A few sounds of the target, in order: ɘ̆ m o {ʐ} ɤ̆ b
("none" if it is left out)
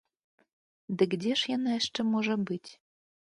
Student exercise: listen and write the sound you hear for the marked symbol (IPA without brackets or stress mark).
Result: ʒ